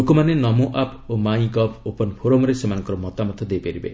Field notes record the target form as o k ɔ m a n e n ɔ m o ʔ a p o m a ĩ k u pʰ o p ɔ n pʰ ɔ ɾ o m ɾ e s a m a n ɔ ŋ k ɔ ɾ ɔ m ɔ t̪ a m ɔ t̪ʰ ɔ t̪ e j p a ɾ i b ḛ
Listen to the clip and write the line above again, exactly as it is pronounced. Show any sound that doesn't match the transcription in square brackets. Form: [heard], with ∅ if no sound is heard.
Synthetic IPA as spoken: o k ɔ m a n e n ɔ m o ʔ a p o m a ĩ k [ɔ] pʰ o p ɔ n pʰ [o] ɾ o m ɾ e s [e] m a n ɔ ŋ k ɔ ɾ ɔ m ɔ t̪ a m ɔ t̪ʰ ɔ [d̪] e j p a ɾ i b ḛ